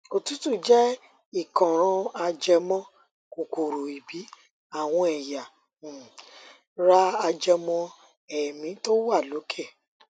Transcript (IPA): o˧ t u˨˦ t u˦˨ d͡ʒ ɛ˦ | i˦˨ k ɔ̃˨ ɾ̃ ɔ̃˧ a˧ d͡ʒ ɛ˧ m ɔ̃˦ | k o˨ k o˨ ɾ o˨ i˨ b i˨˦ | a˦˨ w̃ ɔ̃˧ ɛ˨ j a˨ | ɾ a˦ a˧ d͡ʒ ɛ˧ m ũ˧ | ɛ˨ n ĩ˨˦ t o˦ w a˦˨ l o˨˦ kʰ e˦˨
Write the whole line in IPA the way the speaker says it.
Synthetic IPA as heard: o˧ t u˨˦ t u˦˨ d͡ʒ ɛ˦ | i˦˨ k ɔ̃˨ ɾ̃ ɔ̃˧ a˧ d͡ʒ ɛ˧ m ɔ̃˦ | k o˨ k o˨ ɾ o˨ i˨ b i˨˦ | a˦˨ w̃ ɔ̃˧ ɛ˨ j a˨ | ɾ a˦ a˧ d͡ʒ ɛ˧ m ɔ̃˧ | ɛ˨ m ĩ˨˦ t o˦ w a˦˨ l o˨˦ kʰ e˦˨